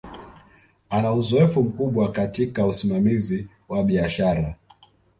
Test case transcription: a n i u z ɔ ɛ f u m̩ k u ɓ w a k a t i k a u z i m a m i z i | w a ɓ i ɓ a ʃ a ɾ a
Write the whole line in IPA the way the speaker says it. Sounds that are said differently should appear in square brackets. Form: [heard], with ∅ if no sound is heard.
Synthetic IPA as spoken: a n [a] u z ɔ ɛ f u m̩ k u ɓ w a k a t i k a u [s] i m a m i z i | w a ɓ i [∅] a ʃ a ɾ a